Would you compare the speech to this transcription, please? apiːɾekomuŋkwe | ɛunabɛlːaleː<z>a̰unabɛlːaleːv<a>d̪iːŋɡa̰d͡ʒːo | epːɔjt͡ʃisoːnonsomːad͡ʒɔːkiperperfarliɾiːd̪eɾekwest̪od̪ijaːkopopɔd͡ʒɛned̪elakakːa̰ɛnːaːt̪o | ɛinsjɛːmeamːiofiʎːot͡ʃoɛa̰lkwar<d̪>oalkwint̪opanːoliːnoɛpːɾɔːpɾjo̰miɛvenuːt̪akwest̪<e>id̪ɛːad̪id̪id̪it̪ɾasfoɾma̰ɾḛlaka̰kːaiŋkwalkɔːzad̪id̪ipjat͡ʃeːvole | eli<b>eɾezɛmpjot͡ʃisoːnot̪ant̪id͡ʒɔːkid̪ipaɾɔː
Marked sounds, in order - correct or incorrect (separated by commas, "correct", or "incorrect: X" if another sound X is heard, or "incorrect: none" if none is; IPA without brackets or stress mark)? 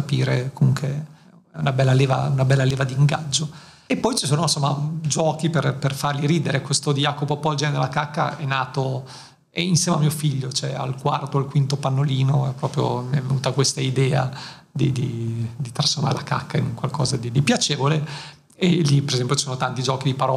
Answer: incorrect: v, correct, incorrect: t̪, incorrect: a, incorrect: p